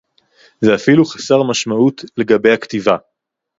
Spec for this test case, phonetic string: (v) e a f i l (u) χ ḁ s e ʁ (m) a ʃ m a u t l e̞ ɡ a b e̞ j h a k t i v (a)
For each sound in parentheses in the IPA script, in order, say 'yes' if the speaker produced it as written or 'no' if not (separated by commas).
no, yes, yes, yes